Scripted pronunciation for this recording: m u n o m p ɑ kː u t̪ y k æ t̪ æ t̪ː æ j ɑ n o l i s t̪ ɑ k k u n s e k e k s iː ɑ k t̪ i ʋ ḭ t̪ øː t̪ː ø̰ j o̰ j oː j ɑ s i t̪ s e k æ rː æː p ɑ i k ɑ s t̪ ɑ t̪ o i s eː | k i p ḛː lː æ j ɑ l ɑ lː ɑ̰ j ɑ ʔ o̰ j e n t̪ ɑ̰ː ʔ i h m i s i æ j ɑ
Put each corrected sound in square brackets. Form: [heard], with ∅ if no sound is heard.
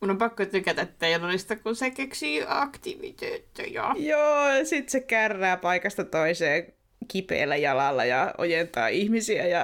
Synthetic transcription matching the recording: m u n o m p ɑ kː [o] t̪ y k æ t̪ æ t̪ː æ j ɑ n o l i s t̪ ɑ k k u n s e k e k s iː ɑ k t̪ i ʋ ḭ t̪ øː t̪ː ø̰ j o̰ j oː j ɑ s i t̪ s e k æ rː æː p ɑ i k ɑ s t̪ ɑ t̪ o i s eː | k i p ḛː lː æ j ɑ l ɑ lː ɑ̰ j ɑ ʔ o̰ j e n t̪ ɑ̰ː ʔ i h m i s i æ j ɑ